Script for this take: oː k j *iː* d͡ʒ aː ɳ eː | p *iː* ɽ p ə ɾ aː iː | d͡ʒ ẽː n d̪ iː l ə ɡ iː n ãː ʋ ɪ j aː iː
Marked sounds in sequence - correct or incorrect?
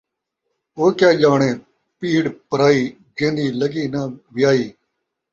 incorrect: aː, correct

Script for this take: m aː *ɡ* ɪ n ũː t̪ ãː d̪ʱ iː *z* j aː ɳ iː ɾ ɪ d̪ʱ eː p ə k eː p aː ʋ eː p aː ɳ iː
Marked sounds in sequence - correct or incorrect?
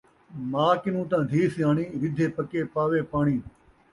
incorrect: k, incorrect: s

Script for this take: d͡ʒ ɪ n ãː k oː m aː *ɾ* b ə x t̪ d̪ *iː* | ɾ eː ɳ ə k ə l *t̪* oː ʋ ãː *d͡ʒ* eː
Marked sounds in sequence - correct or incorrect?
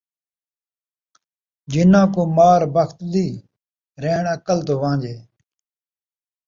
correct, correct, correct, correct

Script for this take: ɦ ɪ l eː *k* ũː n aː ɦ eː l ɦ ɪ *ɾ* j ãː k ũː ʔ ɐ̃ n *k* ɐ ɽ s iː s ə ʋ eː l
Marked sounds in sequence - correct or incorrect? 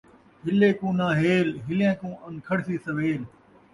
correct, incorrect: l, incorrect: kʰ

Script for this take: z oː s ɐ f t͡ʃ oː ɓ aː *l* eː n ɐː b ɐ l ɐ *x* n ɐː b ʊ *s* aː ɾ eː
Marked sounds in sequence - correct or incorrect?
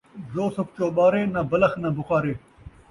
incorrect: ɾ, correct, incorrect: x

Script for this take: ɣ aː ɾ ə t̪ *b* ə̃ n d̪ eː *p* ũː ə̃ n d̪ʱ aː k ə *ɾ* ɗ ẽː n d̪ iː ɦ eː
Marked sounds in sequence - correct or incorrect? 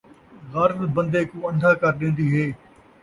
correct, incorrect: k, correct

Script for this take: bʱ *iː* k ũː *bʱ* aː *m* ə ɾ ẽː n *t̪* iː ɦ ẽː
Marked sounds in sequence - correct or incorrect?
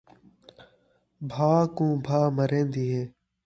incorrect: aː, correct, correct, incorrect: d̪

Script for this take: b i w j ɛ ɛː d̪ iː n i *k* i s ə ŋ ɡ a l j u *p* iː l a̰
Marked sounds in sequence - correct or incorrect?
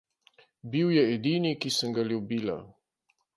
correct, incorrect: b

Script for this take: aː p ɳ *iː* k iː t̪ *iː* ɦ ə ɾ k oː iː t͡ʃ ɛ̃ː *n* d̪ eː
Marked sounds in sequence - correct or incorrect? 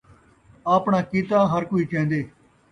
incorrect: aː, incorrect: aː, correct

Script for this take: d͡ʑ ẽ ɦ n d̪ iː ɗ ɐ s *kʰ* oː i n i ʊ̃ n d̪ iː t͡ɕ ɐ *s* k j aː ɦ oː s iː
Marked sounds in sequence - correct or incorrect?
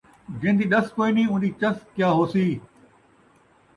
incorrect: k, correct

